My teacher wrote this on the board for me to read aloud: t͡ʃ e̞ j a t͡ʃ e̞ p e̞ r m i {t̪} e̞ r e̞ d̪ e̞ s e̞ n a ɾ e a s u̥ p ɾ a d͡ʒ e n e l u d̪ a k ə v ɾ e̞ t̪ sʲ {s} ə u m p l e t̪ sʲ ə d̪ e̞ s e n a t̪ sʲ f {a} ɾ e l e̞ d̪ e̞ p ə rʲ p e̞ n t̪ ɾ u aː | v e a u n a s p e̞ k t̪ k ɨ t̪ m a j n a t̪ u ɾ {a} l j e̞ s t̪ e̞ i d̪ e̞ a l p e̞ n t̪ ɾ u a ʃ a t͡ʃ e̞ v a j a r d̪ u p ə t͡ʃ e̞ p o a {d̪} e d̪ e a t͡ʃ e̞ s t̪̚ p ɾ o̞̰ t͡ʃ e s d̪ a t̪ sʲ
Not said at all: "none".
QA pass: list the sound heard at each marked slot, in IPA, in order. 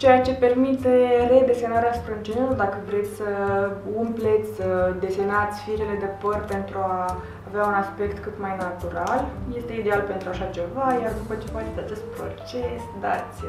t̪, s, i, a, t̪

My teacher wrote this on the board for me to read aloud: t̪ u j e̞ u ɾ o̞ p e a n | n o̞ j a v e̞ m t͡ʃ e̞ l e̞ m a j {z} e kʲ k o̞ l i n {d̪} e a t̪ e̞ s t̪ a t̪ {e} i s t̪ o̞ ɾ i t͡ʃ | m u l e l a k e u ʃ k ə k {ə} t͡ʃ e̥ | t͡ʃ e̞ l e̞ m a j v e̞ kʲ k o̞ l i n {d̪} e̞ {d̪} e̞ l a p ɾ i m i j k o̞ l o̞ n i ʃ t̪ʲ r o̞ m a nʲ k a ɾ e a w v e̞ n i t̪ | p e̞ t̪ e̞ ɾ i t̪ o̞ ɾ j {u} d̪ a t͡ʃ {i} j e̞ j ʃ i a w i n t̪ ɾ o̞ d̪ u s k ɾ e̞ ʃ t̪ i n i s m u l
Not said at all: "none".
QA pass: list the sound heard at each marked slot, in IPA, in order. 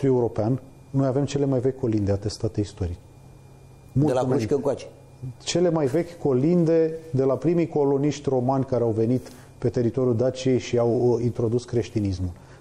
v, d̪, e, a, d̪, d̪, u, i

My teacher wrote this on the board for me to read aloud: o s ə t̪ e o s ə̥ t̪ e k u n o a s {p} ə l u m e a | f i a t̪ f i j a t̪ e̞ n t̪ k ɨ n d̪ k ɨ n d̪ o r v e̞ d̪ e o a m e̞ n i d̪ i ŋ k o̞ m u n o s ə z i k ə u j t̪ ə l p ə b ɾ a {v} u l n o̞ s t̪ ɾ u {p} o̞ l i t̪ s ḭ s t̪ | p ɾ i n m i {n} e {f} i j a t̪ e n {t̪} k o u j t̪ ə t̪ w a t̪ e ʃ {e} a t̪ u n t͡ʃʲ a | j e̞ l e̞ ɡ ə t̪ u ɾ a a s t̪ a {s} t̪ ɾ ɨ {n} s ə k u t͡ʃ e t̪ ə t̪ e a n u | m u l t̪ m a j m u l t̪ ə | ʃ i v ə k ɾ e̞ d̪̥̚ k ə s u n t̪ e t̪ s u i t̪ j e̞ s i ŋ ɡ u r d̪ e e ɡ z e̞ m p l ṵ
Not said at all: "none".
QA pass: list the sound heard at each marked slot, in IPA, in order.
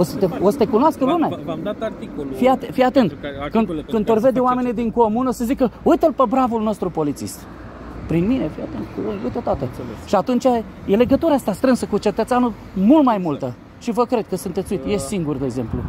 k, v, p, n, f, t̪, i, s, n

